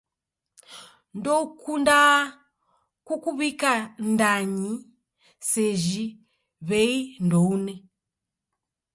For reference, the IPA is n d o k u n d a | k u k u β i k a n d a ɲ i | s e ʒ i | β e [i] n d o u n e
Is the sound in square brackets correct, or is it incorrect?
correct